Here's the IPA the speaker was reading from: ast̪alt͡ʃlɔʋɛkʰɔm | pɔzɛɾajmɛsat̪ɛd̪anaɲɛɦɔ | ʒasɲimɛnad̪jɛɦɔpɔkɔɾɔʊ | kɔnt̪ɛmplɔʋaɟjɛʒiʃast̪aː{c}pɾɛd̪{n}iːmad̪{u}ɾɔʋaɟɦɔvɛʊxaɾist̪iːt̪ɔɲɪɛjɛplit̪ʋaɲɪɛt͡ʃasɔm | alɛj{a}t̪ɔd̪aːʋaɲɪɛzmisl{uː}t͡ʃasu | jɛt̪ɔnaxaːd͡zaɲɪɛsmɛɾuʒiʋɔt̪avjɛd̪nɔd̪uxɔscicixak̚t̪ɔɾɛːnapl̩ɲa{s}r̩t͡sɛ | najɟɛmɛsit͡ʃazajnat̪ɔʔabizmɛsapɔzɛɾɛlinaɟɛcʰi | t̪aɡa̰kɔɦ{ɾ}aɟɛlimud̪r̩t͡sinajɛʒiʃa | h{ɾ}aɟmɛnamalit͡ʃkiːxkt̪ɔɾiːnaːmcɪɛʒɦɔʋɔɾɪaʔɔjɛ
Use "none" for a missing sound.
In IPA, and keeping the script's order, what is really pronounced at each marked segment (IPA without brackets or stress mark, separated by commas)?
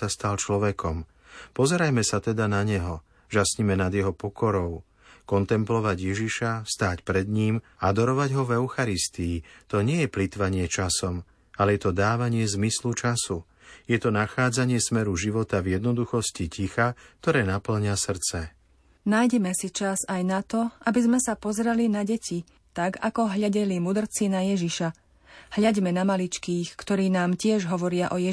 c, ɲ, ɔ, ɛ, u, s, ʎ, ʎ